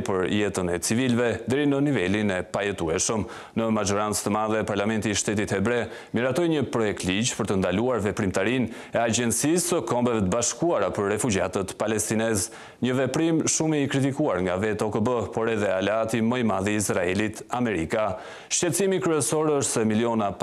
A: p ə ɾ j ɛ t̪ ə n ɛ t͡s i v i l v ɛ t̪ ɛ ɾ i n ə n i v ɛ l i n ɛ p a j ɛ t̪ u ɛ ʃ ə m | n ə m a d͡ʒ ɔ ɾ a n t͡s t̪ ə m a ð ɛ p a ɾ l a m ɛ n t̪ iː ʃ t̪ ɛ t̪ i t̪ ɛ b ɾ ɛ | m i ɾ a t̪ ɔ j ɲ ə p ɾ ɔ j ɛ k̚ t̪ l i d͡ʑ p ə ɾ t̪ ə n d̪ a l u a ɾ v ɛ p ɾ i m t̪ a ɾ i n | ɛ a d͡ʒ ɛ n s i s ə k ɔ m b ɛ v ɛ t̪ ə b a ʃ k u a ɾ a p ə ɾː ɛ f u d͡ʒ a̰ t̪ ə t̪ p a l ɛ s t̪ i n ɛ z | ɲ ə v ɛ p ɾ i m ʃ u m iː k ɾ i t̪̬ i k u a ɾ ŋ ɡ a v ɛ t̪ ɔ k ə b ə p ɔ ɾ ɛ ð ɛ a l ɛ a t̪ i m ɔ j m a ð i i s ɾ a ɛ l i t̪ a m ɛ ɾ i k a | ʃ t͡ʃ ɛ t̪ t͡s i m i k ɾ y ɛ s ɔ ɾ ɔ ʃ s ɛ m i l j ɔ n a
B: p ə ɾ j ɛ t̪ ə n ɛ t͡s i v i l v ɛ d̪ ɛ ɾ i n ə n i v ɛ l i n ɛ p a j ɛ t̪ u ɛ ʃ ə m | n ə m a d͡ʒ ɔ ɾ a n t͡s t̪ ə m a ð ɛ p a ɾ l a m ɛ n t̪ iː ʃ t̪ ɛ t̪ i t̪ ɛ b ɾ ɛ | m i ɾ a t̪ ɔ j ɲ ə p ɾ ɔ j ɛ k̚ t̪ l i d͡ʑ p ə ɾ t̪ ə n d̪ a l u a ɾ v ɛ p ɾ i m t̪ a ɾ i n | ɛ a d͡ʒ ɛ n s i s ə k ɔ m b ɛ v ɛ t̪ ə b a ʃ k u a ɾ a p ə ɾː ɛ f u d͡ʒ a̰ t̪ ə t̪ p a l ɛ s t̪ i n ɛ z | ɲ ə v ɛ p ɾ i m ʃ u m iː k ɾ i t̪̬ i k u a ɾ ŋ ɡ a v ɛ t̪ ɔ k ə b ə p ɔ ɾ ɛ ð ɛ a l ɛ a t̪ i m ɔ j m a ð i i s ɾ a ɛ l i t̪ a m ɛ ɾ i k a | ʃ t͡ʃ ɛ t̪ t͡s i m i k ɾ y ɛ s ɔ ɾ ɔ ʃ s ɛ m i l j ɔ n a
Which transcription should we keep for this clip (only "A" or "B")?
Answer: B